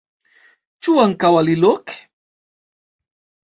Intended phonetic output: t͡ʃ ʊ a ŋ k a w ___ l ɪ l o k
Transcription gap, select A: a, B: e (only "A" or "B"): A